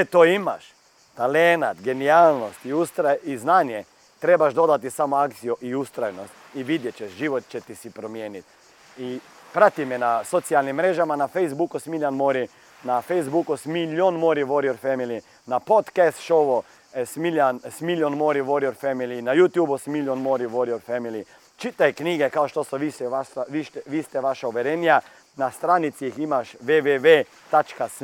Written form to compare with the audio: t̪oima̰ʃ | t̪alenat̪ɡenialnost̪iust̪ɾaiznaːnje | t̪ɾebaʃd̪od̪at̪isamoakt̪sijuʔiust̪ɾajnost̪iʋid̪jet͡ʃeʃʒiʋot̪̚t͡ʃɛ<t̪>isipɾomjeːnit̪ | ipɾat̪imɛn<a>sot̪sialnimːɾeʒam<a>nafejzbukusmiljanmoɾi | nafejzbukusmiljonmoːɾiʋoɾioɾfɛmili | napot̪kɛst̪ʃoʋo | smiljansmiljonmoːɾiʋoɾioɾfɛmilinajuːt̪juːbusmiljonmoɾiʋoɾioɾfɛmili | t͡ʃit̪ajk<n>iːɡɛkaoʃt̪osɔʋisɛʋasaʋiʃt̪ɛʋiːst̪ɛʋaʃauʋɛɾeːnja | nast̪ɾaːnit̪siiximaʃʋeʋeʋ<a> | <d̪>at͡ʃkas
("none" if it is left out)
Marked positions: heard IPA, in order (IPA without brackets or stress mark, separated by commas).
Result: t̪, a, a, n, e, t̪